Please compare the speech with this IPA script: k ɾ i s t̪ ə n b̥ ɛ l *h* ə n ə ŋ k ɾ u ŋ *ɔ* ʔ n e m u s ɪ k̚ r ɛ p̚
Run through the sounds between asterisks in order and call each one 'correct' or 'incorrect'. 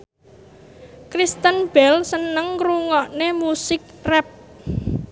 incorrect: s, correct

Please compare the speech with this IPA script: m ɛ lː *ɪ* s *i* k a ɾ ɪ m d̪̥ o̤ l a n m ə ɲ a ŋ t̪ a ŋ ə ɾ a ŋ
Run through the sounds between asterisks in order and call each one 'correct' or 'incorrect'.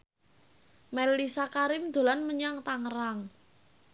incorrect: i, incorrect: a

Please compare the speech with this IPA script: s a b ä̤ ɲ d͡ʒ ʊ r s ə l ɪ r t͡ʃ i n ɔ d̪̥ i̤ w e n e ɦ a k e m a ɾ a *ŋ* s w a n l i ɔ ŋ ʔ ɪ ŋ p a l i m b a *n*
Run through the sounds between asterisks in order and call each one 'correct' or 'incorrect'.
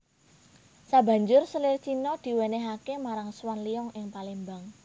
correct, incorrect: ŋ

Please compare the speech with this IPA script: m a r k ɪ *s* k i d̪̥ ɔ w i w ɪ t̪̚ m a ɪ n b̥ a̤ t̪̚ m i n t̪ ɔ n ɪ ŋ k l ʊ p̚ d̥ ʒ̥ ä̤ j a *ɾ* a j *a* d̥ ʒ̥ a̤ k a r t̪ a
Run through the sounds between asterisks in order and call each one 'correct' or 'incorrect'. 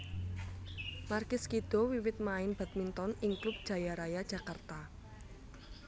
correct, correct, correct

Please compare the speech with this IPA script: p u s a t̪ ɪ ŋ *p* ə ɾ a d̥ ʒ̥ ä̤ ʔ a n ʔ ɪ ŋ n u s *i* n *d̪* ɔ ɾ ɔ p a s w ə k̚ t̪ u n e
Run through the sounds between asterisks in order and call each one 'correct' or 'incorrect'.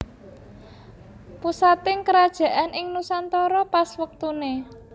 incorrect: k, incorrect: a, incorrect: t̪

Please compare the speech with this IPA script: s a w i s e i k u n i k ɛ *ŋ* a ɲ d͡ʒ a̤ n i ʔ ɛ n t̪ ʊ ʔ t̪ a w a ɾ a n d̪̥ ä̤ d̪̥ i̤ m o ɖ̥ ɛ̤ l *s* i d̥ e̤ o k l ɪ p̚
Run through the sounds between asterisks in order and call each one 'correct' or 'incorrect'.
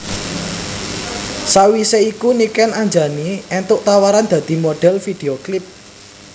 incorrect: n, incorrect: f

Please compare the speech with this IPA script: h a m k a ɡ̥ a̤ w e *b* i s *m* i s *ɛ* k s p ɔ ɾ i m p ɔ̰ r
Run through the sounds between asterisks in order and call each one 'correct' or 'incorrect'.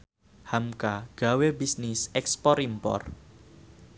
correct, incorrect: n, correct

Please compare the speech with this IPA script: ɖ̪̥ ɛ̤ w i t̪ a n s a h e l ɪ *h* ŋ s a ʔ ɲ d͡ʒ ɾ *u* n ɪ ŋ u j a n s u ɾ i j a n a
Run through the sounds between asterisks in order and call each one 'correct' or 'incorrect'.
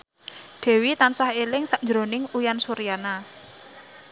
incorrect: none, incorrect: o

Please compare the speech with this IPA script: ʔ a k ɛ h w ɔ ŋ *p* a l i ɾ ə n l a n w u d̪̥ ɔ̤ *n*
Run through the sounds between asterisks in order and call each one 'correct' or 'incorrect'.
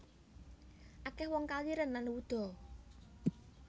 incorrect: k, incorrect: none

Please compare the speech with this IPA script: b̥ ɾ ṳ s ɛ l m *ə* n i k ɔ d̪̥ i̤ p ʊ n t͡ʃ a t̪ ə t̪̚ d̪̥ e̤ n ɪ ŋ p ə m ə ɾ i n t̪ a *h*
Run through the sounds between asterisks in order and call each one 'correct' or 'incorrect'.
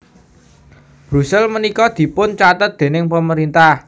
correct, correct

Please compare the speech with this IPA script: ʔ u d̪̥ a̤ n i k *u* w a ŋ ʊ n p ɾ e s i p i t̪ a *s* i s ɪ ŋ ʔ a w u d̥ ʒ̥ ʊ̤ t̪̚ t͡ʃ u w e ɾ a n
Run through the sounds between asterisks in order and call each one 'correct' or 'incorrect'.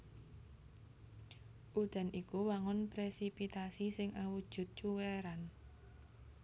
correct, correct

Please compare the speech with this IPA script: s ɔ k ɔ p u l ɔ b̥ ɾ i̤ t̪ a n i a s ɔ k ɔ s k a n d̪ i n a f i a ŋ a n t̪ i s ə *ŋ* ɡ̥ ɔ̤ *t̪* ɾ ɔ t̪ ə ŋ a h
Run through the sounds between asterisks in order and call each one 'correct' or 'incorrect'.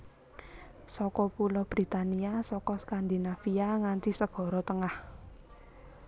incorrect: none, incorrect: none

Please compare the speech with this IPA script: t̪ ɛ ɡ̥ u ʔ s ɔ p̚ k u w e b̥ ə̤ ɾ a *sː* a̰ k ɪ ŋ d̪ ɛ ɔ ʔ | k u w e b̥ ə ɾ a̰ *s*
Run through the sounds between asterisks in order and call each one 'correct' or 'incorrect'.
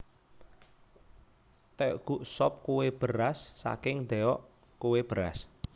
correct, correct

